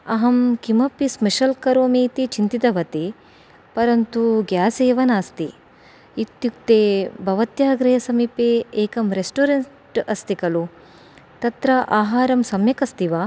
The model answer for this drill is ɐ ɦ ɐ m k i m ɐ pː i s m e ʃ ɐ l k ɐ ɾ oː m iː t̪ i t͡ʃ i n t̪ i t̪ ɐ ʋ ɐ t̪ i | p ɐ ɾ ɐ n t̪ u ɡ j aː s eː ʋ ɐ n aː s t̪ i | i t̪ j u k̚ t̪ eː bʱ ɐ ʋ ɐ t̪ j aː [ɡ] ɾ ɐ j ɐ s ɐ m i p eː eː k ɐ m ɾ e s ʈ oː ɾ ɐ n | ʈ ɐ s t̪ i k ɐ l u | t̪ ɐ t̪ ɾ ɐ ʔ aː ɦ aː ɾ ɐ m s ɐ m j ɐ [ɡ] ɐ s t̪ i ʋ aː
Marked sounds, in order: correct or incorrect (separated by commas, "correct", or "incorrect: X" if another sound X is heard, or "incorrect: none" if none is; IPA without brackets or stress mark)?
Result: correct, incorrect: k